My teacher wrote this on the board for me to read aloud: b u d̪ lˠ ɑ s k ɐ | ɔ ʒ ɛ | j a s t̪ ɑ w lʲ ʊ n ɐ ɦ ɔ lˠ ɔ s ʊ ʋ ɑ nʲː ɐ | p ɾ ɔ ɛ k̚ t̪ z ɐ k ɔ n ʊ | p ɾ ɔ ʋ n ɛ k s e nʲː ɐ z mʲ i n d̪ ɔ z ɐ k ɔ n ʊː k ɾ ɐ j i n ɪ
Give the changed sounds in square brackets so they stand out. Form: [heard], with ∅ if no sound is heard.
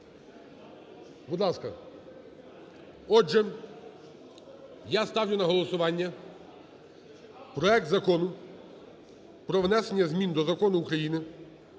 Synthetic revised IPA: b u d̪ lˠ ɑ s k ɐ | ɔ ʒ ɛ | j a s t̪ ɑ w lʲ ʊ n ɐ ɦ ɔ lˠ ɔ s ʊ ʋ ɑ nʲː ɐ | p ɾ ɔ ɛ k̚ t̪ z ɐ k ɔ n ʊ | p ɾ ɔ ʋ n ɛ [∅] s e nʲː ɐ z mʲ i n d̪ ɔ z ɐ k ɔ n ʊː k ɾ ɐ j i n ɪ